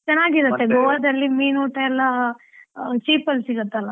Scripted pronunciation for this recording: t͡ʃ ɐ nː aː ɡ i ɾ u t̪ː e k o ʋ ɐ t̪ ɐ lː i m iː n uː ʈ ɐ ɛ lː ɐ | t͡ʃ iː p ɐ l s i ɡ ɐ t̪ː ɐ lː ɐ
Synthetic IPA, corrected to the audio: t͡ʃ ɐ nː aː ɡ i ɾ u t̪ː e ɡ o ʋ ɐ d̪ ɐ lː i m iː n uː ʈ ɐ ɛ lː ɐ | t͡ʃ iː p ɐ l s i ɡ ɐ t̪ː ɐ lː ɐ